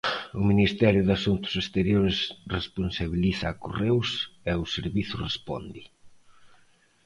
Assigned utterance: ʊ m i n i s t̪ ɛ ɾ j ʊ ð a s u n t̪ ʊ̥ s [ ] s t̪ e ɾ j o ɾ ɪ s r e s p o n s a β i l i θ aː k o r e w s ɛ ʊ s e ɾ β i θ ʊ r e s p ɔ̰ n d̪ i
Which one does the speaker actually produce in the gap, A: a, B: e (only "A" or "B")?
B